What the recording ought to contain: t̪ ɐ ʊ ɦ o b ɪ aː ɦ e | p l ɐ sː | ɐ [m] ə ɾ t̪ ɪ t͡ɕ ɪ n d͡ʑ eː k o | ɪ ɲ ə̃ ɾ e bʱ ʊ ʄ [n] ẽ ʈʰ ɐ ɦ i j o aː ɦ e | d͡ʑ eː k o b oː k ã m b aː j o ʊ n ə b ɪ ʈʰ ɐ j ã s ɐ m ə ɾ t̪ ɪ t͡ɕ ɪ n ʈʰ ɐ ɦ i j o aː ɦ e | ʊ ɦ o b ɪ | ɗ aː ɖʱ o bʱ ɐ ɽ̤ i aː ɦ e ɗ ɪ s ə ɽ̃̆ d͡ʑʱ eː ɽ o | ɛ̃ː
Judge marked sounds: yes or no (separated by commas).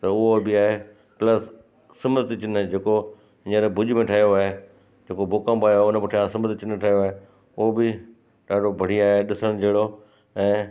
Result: yes, no